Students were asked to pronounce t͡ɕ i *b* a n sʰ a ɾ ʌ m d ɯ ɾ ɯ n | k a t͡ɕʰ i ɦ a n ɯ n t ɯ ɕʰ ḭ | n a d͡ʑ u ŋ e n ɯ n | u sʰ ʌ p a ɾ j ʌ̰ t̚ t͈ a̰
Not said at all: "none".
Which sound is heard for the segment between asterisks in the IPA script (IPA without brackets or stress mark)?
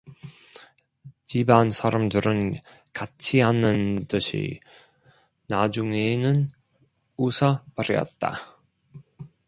b